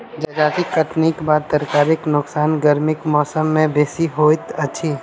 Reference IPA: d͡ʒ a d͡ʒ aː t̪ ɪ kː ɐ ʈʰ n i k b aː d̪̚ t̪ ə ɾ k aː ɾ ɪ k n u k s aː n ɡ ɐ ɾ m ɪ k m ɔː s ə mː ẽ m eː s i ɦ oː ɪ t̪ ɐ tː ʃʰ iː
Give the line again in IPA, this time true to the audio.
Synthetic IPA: d͡ʒ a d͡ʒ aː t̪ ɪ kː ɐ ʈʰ n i k b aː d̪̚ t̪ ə ɾ k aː ɾ ɪ k n ʊ k s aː n ɡ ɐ ɾ m ɪ k m ɔː s ə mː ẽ b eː s i ɦ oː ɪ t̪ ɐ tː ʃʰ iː